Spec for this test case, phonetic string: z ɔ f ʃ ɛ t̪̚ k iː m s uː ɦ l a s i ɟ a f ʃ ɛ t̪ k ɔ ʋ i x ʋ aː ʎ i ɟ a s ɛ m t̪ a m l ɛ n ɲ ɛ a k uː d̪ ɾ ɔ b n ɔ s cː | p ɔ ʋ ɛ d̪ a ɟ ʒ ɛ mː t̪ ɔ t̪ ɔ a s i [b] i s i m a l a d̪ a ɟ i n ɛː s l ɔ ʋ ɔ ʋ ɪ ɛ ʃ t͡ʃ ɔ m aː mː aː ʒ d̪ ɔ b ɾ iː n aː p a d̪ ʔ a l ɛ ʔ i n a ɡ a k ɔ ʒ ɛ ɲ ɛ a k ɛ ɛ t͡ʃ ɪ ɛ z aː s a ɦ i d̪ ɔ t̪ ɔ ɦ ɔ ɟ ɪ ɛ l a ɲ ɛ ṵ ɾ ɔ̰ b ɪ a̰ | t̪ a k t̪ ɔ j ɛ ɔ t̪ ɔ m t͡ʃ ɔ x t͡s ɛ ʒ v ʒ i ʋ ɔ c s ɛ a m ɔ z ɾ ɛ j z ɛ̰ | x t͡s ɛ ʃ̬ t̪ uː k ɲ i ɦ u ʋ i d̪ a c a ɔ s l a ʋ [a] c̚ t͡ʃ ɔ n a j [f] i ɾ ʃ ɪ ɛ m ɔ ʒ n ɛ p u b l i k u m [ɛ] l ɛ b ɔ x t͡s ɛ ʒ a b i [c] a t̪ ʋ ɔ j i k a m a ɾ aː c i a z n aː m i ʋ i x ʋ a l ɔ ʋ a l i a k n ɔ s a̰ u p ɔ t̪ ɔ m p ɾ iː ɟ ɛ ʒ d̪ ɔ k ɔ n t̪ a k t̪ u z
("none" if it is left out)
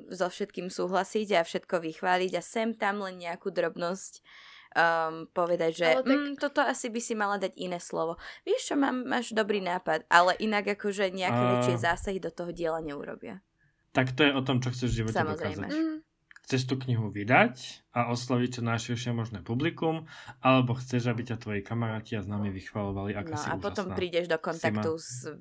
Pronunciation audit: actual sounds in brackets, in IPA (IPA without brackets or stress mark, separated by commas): b, i, ʃ, a, c